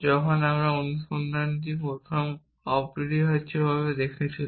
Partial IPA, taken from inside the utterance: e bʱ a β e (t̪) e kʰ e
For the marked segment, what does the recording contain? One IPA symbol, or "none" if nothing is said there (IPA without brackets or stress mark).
d̪